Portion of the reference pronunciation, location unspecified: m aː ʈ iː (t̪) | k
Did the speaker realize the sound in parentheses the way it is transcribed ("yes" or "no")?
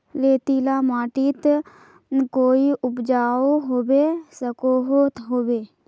yes